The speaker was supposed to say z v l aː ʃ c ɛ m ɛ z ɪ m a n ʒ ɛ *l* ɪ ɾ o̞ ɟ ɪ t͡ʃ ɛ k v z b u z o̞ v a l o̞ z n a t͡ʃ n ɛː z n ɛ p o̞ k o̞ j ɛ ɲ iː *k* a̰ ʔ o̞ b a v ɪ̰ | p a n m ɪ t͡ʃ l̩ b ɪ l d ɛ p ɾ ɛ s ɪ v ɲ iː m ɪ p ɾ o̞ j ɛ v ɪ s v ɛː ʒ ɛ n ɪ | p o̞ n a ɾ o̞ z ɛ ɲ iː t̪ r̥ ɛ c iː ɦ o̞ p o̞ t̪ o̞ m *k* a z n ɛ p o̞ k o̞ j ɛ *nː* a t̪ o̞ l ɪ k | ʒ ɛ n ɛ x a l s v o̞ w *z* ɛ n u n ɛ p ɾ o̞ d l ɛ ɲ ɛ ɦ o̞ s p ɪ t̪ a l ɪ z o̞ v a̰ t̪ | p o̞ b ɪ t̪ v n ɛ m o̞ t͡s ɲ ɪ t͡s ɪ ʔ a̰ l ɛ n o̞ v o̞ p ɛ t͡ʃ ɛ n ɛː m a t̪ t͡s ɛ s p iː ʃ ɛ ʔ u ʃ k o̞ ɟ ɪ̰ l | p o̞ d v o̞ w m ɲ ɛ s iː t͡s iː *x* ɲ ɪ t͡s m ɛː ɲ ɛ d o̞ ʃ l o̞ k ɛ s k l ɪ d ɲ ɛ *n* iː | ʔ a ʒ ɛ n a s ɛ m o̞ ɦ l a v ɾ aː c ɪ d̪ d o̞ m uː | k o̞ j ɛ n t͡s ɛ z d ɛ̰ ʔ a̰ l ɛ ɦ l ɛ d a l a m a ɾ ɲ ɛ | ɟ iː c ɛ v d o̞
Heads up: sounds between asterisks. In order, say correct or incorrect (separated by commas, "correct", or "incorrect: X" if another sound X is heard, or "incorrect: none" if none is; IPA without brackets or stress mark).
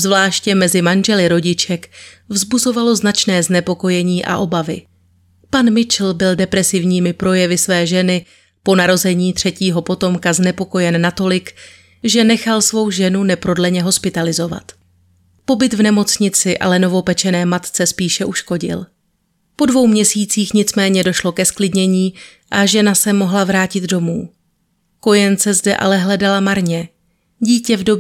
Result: correct, incorrect: ʔ, correct, correct, incorrect: ʒ, correct, incorrect: ɲ